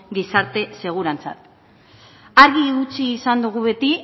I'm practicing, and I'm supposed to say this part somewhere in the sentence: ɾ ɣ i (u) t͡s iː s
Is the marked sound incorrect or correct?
correct